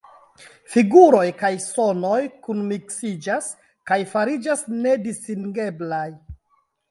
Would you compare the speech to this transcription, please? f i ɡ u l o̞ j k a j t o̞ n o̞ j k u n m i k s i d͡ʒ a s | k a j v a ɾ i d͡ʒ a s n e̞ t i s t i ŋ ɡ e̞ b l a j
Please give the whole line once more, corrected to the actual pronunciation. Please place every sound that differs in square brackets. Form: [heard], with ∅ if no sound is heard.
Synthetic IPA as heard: f i ɡ u [ɾ] o̞ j k a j [s] o̞ n o̞ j k u n m i k s i d͡ʒ a s | k a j [f] a ɾ i d͡ʒ a s n e̞ [d] i s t i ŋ ɡ e̞ b l a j